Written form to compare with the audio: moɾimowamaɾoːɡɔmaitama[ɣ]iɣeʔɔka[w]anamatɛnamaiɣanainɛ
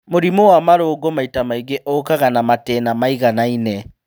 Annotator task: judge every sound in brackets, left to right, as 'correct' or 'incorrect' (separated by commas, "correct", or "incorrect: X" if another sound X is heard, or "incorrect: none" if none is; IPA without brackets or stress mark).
incorrect: none, incorrect: ɣ